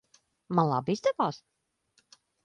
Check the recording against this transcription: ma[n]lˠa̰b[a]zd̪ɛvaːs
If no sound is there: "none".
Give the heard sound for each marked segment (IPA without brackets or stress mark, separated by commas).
n, i